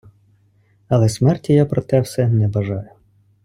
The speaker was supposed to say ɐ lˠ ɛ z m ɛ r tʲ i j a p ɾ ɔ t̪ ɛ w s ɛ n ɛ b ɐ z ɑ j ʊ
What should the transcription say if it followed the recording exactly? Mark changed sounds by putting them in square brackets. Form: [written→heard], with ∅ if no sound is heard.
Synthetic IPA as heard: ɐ lˠ ɛ [z→s] m ɛ r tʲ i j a p ɾ ɔ t̪ ɛ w s ɛ n ɛ b ɐ [z→ʒ] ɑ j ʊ